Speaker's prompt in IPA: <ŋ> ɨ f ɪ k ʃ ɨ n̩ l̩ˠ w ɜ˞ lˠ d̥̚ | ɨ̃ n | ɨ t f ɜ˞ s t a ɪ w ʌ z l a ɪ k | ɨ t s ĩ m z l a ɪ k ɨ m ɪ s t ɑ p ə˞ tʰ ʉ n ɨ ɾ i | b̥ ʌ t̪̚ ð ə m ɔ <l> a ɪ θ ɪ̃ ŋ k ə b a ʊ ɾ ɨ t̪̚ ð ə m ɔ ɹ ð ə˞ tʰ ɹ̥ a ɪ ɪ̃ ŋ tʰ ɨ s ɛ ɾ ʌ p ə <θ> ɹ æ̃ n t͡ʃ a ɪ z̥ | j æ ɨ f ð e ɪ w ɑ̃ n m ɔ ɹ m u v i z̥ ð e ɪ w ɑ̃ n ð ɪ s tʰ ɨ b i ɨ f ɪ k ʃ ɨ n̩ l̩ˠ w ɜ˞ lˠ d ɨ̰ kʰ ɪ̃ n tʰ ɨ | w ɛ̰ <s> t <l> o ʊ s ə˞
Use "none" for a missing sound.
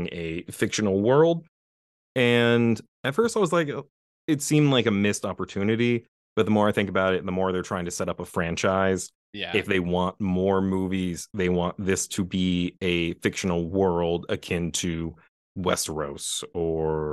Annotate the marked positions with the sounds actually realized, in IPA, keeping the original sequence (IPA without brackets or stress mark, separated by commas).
ŋ, ɹ, f, s, ɹ